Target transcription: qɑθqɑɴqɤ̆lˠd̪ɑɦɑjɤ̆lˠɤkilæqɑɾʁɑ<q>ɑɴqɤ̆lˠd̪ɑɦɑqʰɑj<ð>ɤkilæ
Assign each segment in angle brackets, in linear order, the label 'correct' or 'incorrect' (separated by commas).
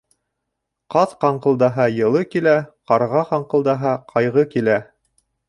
correct, incorrect